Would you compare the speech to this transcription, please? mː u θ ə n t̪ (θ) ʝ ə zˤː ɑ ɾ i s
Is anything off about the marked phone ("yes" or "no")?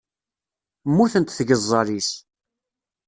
no